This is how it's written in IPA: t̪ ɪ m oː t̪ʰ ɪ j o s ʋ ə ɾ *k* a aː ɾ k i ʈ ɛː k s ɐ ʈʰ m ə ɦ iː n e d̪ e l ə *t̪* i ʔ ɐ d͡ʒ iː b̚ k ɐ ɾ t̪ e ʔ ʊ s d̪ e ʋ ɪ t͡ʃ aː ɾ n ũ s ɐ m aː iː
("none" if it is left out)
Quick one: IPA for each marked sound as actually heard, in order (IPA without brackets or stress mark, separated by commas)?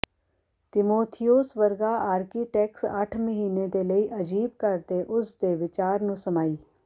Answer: ɡ, none